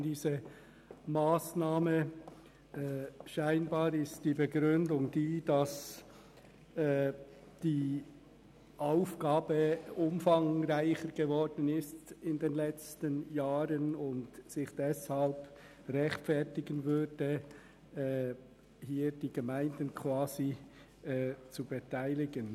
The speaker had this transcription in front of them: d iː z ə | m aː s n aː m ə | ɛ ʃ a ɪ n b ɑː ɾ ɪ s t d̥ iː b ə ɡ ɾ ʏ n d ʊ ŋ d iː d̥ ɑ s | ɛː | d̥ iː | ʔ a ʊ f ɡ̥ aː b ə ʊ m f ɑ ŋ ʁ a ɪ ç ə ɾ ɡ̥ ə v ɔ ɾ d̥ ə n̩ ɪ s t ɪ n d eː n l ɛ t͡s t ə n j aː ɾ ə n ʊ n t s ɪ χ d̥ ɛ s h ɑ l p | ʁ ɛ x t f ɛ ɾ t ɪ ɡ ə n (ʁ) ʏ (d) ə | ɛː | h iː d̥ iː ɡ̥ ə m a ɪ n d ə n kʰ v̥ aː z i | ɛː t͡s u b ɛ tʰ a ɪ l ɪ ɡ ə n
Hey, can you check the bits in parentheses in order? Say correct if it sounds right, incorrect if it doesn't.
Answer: incorrect: v, correct

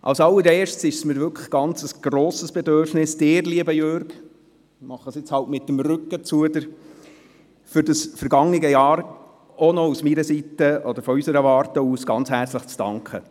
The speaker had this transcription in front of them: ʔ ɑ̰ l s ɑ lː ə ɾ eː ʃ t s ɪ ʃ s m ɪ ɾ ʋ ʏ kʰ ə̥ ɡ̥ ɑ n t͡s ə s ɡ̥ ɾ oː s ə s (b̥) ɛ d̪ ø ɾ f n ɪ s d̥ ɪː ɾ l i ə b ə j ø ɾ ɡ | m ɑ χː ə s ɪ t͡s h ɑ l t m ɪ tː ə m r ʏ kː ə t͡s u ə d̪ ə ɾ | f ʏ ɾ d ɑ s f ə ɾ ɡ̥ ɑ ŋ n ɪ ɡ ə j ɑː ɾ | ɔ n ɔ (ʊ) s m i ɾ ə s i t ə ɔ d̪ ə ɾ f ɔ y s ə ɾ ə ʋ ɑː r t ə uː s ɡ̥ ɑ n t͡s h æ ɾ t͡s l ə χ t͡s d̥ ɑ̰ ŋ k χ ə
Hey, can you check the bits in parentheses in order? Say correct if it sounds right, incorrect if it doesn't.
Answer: correct, incorrect: u

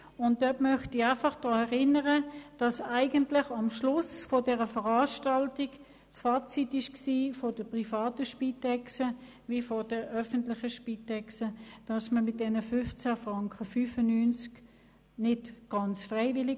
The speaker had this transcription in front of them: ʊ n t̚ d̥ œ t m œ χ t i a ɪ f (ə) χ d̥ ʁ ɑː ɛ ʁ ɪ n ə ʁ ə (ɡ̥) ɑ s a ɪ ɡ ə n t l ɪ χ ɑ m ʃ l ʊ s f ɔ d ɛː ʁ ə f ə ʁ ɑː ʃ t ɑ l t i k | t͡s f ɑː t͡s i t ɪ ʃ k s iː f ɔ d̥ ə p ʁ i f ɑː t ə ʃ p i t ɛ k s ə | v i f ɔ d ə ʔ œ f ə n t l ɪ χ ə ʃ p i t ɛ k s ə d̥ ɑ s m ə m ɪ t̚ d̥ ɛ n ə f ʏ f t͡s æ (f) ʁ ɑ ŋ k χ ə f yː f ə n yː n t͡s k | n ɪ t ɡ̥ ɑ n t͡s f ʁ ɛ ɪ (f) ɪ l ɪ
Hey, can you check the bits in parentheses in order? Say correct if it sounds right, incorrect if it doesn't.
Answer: incorrect: ɑ, incorrect: d̥, correct, incorrect: v

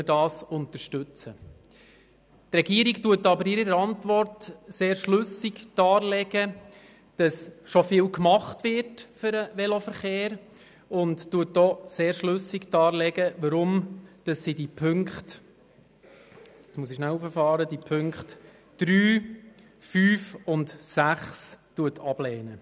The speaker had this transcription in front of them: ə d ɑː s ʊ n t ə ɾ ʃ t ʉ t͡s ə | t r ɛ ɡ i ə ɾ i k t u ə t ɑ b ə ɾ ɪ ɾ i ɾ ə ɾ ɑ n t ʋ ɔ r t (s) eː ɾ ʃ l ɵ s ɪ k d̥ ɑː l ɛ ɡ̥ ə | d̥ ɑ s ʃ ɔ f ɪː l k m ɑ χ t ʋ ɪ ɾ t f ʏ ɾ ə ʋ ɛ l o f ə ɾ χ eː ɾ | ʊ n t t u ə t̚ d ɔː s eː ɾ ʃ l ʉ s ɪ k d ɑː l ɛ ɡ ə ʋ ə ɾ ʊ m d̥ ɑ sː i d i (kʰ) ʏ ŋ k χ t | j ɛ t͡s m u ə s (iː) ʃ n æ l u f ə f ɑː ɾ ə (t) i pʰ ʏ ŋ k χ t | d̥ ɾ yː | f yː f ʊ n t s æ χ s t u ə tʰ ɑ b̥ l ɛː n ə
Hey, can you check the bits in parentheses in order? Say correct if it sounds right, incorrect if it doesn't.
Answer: correct, incorrect: pʰ, incorrect: i, incorrect: d

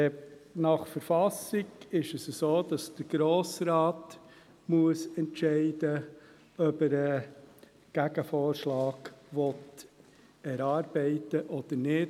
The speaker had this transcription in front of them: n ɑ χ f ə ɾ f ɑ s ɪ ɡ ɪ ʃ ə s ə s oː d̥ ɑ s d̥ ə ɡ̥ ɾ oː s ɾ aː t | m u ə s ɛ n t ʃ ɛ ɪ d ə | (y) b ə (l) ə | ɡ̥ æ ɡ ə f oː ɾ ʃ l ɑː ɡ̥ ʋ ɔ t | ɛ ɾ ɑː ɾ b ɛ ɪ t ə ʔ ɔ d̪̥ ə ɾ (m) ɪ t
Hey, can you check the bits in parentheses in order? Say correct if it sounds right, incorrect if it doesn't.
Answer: incorrect: œ, incorrect: ɾ, incorrect: n

